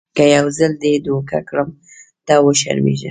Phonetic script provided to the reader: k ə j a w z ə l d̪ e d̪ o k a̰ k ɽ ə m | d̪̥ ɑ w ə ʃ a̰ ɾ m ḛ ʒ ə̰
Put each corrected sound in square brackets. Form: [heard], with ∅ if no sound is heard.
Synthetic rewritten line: k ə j a w z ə l d̪ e d̪ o k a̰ k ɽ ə m | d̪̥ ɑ w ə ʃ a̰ ɾ m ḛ ʒ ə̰